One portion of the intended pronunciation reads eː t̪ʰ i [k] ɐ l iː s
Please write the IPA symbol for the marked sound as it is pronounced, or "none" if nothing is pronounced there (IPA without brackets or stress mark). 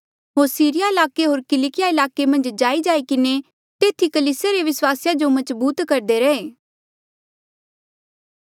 k